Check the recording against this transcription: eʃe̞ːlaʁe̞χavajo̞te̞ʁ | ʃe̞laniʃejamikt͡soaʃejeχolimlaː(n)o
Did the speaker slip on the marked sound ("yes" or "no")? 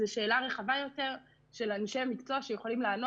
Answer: no